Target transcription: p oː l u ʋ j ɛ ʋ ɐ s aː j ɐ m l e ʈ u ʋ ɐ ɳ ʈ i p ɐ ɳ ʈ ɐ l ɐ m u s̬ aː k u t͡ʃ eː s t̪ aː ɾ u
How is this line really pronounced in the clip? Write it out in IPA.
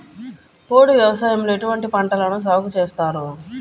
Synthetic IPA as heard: p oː ɽ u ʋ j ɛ ʋ ɐ s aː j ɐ m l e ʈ u ʋ ɐ ɳ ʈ i p ɐ ɳ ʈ ɐ l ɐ n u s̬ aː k u t͡ʃ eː s t̪ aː ɾ u